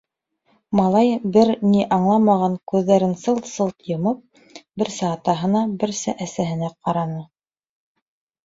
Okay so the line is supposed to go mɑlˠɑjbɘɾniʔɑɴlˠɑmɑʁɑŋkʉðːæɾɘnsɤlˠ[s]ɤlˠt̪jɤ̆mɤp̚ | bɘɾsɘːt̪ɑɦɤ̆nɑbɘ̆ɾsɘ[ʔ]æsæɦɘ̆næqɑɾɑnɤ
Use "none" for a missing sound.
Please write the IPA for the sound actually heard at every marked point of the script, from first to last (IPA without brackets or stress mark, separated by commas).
s, ʔ